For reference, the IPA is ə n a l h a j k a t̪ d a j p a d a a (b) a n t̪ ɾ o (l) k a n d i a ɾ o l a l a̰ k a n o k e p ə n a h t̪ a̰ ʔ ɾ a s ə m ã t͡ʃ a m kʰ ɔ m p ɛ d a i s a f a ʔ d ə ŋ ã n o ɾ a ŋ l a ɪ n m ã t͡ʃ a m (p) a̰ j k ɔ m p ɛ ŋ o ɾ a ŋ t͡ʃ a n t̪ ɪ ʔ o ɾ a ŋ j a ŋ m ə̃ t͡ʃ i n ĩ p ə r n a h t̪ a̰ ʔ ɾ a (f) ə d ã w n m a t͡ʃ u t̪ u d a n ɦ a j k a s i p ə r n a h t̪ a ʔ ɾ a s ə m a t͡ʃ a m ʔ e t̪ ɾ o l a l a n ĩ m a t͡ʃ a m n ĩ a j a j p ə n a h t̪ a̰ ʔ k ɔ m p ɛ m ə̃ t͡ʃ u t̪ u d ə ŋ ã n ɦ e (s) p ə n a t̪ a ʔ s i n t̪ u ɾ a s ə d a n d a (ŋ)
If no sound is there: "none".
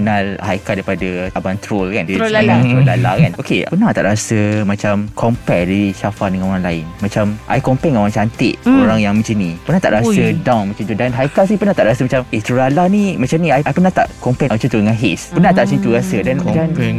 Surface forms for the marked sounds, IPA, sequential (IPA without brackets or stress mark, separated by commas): b, l, ʔ, s, s, n